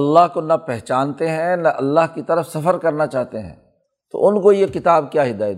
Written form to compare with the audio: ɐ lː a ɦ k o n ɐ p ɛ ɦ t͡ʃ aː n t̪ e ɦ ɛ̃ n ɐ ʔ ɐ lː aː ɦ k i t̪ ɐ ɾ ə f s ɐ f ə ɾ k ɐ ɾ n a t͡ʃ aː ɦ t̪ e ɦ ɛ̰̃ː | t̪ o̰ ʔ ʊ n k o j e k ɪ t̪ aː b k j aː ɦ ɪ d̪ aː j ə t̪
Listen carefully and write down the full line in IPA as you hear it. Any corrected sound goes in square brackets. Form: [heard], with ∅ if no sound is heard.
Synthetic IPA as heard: ɐ lː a ɦ k o n ɐ p ɛ ɦ t͡ʃ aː n t̪ e ɦ ɛ̃ n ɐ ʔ ɐ lː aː ɦ k i t̪ ɐ ɾ ə f s ɐ f ə ɾ k ɐ ɾ n a t͡ʃ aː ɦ t̪ e ɦ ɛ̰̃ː | t̪ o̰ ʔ ʊ n k o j e k ɪ t̪ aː b k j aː ɦ ɪ d̪ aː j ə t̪